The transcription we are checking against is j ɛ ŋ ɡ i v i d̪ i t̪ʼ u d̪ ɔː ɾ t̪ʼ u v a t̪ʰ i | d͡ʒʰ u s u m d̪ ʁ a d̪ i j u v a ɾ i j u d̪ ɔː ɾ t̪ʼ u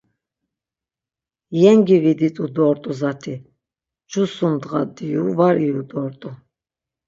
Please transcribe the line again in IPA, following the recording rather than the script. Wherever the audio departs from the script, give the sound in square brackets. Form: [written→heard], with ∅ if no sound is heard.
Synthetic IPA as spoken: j ɛ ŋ ɡ i v i d̪ i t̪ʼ u d̪ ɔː ɾ t̪ʼ u [v→z] a t̪ʰ i | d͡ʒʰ u s u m d̪ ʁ a d̪ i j u v a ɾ i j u d̪ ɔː ɾ t̪ʼ u